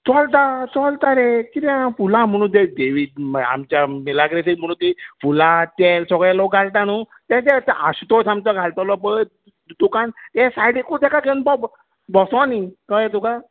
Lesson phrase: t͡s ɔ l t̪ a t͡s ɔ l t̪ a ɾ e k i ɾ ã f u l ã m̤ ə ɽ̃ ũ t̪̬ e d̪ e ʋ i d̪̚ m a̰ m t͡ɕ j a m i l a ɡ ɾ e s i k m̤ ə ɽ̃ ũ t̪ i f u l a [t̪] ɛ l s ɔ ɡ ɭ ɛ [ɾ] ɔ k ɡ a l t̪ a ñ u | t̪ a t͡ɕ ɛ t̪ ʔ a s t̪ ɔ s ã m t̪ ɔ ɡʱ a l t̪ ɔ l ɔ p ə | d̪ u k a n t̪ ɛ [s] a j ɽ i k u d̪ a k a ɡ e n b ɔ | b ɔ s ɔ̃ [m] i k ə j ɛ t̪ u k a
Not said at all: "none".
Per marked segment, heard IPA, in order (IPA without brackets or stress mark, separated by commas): t̪, l, s, n